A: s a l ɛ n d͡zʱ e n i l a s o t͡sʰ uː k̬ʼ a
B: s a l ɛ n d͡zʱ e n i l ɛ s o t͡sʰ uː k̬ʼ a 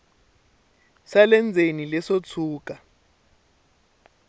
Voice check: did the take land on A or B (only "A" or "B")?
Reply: B